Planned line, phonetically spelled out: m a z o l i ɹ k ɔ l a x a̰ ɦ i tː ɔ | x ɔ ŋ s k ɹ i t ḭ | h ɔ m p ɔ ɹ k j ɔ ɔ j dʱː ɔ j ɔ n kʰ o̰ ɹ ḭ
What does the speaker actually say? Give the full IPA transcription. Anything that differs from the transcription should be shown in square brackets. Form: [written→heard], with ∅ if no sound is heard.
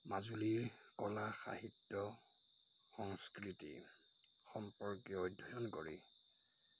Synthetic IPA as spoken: m a z [o→u] l i ɹ k ɔ l a x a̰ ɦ i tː ɔ | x ɔ ŋ s k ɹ i t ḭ | [h→x] ɔ m p ɔ ɹ k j ɔ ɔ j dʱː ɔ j ɔ n [kʰ→k] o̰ ɹ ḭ